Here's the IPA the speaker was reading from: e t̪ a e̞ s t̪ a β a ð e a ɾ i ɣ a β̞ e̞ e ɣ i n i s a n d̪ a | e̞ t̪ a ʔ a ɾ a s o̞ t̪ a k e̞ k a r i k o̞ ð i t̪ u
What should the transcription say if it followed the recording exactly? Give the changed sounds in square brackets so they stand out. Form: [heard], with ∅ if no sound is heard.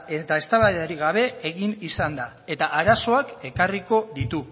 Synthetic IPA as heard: e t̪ a e̞ s t̪ a β a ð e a ɾ i ɣ a β̞ e̞ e ɣ i n i s a n d̪ a | e̞ t̪ a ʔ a ɾ a s o̞ [∅] a k e̞ k a r i k o̞ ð i t̪ u

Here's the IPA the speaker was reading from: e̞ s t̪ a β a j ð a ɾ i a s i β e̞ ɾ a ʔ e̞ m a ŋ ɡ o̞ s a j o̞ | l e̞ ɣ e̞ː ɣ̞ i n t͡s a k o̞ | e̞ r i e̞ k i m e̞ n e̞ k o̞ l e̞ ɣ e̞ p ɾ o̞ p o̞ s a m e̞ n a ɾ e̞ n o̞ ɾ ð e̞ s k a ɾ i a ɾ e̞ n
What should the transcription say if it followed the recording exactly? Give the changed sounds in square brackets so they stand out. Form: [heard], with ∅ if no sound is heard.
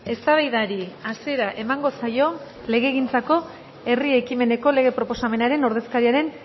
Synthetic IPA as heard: e̞ s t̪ a β a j ð a ɾ i a s i [∅] e̞ ɾ a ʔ e̞ m a ŋ ɡ o̞ s a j o̞ | l e̞ ɣ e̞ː ɣ̞ i n t͡s a k o̞ | e̞ r i e̞ k i m e̞ n e̞ k o̞ l e̞ ɣ e̞ p ɾ o̞ p o̞ s a m e̞ n a ɾ e̞ n o̞ ɾ ð e̞ s k a ɾ i a ɾ e̞ n

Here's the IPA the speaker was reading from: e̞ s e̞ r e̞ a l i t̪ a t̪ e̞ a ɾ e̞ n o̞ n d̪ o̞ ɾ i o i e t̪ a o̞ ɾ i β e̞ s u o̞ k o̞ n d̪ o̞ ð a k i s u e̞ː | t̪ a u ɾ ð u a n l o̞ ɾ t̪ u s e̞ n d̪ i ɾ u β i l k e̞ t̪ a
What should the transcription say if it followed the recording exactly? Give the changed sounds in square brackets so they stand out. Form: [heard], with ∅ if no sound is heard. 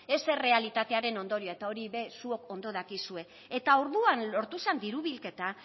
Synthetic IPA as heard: e̞ s e̞ r e̞ a l i t̪ a t̪ e̞ a ɾ e̞ n o̞ n d̪ o̞ ɾ i o [a] e t̪ a o̞ ɾ i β e̞ s u o̞ k o̞ n d̪ o̞ ð a k i s u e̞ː | t̪ a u ɾ ð u a n l o̞ ɾ t̪ u s e̞ n d̪ i ɾ u β i l k e̞ t̪ a

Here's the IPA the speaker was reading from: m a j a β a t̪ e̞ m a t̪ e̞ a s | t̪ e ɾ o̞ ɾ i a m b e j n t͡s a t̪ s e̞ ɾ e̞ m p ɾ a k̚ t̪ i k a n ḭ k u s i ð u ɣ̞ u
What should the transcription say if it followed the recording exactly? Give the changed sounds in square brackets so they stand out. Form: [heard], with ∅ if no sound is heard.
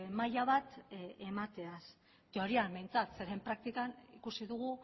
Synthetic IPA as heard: m a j a β a t̪ e̞ m a t̪ e̞ a s | t̪ e [∅] o̞ ɾ i a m b e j n t͡s a t̪ s e̞ ɾ e̞ m p ɾ a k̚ t̪ i k a n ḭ k u s i ð u ɣ̞ u

